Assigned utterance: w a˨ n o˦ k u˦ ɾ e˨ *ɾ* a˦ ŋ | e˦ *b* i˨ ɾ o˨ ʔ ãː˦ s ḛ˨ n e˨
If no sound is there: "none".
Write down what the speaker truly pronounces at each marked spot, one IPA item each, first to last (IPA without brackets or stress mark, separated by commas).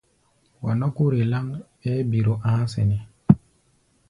l, b